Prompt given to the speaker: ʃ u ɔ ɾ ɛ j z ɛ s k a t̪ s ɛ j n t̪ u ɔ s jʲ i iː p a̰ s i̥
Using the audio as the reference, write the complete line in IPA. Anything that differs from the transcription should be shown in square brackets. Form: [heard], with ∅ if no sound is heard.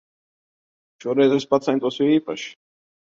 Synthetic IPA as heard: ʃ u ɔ ɾ ɛ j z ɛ s [p] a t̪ s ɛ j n t̪ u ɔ s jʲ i iː p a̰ [ʃ] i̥